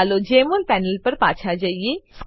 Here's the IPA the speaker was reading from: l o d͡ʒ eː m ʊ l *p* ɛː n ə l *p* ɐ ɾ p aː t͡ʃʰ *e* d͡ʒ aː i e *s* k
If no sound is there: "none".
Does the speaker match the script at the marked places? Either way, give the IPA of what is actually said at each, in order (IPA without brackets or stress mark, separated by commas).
p, p, a, s